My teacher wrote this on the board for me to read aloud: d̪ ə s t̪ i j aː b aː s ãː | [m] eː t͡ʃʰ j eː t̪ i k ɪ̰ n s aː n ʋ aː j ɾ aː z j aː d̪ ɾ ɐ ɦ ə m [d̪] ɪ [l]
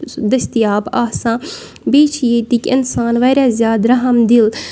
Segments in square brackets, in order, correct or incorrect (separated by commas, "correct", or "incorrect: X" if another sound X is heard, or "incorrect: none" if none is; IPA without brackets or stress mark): incorrect: b, correct, correct